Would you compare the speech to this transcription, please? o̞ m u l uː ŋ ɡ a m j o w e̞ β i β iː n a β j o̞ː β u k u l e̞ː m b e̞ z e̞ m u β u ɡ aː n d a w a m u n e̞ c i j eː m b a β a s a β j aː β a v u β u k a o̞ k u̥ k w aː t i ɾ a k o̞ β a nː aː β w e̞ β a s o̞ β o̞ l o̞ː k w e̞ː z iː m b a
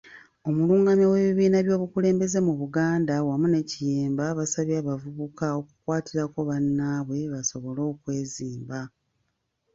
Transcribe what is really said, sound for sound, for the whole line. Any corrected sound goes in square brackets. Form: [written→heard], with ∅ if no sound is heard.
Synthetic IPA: o̞ m u l uː ŋ ɡ a m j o w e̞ β i β iː n a β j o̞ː β u k u l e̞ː m b e̞ z e̞ m u β u ɡ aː n d a w a m u n e̞ c i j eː m b a β a s a β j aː β a v u β u k a o̞ k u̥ k w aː t i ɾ a k o̞ β a nː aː β w e̞ β a s o̞ β o̞ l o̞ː k w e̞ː z iː m b a